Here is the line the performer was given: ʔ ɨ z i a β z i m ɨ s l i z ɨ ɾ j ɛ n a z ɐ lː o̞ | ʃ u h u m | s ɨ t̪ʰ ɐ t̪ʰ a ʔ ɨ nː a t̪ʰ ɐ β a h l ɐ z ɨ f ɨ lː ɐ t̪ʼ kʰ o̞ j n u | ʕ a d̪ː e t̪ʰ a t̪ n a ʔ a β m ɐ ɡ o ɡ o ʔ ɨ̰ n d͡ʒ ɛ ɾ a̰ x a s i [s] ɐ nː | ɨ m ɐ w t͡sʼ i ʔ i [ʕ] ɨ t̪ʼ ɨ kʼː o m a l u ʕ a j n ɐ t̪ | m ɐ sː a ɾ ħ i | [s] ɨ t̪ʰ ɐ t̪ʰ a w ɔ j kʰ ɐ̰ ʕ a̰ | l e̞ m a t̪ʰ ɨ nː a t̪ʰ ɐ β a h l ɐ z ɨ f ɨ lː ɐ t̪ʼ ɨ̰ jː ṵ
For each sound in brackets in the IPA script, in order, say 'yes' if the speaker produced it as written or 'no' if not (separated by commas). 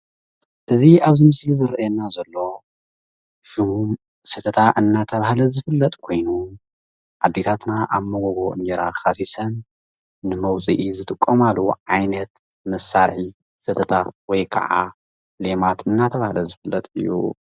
yes, no, yes